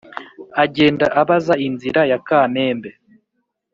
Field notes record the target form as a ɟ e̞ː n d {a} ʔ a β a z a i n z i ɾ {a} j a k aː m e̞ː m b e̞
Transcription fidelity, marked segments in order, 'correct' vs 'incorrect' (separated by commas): correct, correct